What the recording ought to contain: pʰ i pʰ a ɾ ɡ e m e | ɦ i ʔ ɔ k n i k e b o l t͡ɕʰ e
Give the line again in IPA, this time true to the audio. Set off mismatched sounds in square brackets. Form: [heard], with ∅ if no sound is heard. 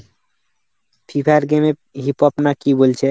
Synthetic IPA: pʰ i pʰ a ɾ ɡ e m e | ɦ i [p] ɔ [p] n [a] k [i] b o l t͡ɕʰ e